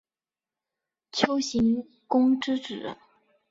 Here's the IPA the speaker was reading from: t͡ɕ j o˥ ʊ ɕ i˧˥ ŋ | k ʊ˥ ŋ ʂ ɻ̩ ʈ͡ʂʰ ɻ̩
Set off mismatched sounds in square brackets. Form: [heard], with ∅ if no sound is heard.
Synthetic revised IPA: [t͡ɕʰ] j o˥ ʊ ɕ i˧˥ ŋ | k ʊ˥ ŋ [ʈ͡ʂ] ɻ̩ [ʈ͡ʂ] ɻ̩